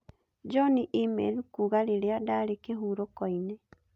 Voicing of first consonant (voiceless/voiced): voiced